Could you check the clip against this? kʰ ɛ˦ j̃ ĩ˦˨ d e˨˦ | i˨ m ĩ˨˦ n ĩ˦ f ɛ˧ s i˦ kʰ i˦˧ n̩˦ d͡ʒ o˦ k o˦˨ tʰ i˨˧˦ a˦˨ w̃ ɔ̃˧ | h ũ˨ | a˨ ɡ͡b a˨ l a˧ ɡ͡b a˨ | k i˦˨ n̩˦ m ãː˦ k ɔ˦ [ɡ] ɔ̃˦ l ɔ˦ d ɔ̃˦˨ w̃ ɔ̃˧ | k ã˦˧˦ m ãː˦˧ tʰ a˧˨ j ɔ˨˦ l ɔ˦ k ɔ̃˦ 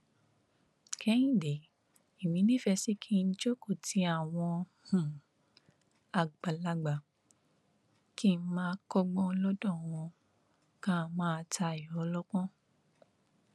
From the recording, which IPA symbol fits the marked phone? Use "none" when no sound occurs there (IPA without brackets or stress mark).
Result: ɡ͡b